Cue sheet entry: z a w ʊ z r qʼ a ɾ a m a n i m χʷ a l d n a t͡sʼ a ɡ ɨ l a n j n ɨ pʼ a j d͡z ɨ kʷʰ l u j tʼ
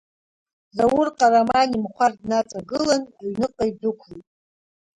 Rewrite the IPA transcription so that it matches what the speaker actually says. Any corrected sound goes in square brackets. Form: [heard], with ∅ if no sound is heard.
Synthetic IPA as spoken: z a w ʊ [∅] r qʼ a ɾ a m a n i m χʷ a [r] d n a t͡sʼ a ɡ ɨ l a n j n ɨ [qʼ] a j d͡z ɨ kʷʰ l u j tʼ